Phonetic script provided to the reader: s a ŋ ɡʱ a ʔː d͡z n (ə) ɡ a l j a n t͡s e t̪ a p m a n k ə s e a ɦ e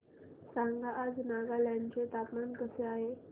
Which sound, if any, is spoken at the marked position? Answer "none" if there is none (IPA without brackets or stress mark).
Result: a